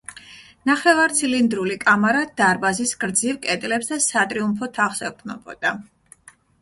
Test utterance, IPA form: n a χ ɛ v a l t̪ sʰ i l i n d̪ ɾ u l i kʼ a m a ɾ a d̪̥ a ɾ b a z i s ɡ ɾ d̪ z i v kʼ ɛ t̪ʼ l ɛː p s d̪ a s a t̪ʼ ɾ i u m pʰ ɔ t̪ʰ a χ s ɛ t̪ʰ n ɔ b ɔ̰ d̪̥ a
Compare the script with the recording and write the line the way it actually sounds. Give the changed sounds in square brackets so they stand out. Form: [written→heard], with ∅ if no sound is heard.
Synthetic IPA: n a χ ɛ v a [l→ɾ] t̪ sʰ i l i n d̪ ɾ u l i kʼ a m a ɾ a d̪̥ a ɾ b a z i s ɡ ɾ d̪ z i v kʼ ɛ t̪ʼ l [ɛː→ɛ] p s d̪ a s a t̪ʼ ɾ i u m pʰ ɔ t̪ʰ a χ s ɛ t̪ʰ n ɔ b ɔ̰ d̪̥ a